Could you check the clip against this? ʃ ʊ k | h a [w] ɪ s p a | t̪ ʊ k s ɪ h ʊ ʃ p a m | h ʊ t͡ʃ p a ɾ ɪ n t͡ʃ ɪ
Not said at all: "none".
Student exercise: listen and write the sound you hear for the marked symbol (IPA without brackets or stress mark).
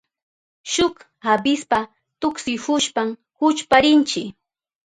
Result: b